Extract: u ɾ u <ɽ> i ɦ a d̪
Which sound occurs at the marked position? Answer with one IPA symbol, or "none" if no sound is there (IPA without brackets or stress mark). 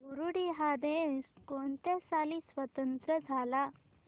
ɽ